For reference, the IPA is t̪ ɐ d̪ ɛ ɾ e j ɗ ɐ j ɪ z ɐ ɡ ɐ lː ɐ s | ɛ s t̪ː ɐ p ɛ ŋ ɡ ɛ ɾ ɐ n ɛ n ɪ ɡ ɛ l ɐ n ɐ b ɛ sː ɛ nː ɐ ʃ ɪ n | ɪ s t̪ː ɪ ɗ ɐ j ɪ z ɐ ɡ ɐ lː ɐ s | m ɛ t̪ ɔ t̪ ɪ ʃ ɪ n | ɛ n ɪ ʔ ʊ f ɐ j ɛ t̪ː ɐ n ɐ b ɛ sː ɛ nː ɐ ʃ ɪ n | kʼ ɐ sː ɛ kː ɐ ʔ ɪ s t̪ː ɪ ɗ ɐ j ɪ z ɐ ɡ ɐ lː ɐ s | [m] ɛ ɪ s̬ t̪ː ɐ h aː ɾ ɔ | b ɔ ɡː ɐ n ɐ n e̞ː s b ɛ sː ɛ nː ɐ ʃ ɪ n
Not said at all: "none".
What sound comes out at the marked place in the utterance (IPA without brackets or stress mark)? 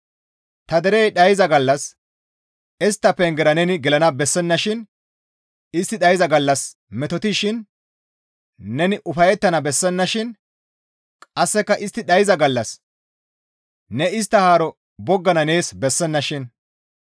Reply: n